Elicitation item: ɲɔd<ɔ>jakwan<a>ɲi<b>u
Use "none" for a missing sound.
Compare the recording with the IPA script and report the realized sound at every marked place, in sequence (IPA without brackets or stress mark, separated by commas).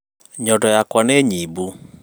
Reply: ɔ, e, b